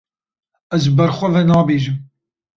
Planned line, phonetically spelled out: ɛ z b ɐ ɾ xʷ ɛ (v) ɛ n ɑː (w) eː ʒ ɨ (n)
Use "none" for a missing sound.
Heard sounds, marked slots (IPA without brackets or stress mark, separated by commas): v, b, m